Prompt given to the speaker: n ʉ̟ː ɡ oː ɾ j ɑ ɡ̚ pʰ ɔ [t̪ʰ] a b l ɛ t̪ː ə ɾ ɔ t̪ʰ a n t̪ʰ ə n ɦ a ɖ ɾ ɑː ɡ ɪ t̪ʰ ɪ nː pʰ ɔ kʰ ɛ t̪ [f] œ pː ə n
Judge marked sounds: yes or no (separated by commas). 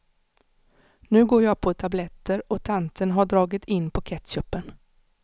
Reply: yes, no